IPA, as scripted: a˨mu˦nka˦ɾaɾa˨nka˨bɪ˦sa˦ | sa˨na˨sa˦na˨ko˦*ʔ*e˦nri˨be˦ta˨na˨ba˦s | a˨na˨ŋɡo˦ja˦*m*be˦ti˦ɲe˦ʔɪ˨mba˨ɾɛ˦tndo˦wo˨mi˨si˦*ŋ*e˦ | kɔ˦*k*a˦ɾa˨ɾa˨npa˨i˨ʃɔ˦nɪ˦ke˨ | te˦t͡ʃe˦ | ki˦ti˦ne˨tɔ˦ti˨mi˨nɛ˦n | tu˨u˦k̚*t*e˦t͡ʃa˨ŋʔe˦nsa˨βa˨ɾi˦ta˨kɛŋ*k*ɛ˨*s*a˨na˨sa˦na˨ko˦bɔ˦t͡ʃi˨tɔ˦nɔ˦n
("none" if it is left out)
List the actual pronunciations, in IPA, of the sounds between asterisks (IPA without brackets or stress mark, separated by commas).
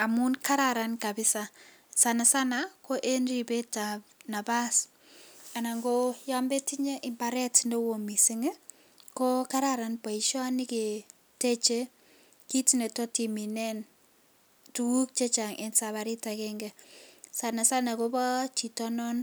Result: ʔ, m, ŋ, k, t͡ʃ, ɡ, s